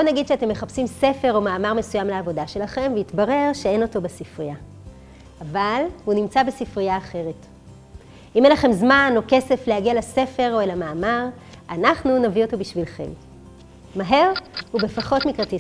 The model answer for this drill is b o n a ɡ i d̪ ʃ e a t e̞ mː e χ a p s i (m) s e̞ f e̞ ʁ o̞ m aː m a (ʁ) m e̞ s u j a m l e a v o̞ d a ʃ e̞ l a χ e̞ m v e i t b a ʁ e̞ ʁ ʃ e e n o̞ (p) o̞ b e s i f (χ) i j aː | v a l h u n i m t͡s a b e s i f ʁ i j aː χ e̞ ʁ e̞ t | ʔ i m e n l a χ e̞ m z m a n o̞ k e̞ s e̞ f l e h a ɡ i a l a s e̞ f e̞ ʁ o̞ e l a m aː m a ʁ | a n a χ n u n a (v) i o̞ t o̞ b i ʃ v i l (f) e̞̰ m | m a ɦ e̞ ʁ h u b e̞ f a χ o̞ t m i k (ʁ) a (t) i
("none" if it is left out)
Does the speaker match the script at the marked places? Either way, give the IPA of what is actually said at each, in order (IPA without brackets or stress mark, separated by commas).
m, ʁ, t, ʁ, v, χ, ʁ, t